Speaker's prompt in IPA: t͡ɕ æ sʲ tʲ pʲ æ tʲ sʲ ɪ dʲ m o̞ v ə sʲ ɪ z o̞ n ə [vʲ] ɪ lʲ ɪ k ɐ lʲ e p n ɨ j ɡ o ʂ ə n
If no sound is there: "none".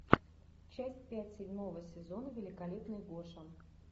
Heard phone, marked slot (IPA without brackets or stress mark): vʲ